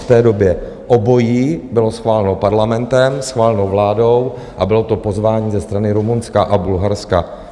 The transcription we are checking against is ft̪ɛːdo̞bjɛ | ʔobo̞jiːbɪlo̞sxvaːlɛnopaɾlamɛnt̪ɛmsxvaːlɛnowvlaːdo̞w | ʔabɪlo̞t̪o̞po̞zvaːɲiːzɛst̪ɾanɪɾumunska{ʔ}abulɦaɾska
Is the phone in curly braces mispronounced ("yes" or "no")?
no